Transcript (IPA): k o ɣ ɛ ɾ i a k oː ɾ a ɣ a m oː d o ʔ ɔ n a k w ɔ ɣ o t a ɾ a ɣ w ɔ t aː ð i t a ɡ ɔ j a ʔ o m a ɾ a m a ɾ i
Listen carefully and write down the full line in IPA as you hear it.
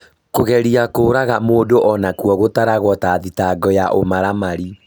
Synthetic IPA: k o ɣ ɛ ɾ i a k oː ɾ a ɣ a m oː d o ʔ ɔ n a k w ɔ ɣ o t a ɾ a ɣ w ɔ t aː ð i t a ɡ ɔ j a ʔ o m a ɾ a m a ɾ i